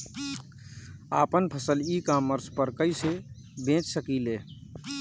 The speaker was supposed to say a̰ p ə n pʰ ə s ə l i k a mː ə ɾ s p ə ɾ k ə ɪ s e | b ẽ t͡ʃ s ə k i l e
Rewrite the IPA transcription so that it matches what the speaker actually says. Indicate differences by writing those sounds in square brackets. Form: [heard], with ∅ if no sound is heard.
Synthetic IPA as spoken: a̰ p ə n pʰ ə s ə l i k a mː ə ɾ s p ə ɾ k ə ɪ s e | b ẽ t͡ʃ s ə k i l e